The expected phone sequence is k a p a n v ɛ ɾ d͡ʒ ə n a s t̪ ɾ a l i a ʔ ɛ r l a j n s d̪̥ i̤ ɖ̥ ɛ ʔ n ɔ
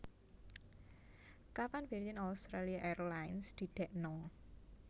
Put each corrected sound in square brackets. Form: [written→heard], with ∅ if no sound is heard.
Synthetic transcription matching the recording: k a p a n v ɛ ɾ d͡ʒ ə n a s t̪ ɾ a l i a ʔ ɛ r l a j n s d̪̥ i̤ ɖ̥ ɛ ʔ n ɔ